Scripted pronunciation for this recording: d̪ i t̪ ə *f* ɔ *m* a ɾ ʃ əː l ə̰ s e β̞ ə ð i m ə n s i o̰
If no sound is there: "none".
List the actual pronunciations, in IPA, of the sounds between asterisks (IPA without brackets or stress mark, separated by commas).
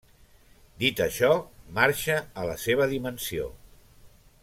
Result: ʃ, m